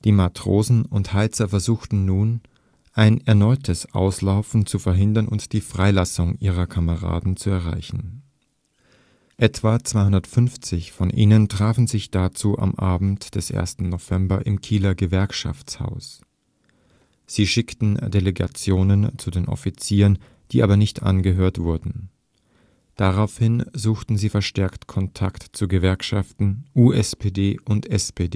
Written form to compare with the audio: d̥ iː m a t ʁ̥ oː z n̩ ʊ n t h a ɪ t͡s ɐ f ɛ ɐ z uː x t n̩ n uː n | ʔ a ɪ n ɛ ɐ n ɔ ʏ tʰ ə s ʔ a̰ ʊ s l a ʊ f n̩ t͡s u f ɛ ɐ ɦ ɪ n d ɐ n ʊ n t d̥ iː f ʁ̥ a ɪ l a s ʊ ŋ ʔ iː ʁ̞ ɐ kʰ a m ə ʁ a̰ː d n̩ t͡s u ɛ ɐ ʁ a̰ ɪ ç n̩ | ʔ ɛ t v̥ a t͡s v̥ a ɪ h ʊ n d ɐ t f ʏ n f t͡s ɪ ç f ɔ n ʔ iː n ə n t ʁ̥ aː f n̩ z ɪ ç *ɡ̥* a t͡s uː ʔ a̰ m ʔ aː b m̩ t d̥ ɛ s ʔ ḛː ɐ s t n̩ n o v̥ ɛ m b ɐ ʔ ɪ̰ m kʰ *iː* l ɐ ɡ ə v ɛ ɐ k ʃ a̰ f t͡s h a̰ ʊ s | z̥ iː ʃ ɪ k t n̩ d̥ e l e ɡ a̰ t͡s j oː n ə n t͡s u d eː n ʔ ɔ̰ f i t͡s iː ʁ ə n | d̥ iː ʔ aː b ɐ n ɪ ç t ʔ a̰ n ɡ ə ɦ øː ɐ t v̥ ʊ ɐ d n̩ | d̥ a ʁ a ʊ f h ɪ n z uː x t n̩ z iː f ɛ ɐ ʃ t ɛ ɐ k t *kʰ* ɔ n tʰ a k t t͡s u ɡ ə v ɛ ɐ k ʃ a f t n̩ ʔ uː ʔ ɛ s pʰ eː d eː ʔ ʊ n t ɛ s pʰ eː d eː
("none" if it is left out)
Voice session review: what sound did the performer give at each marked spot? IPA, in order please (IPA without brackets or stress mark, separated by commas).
d̥, iː, kʰ